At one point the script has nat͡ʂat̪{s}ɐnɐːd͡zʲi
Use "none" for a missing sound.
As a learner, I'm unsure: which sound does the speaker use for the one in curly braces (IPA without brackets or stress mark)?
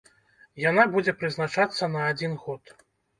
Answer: sː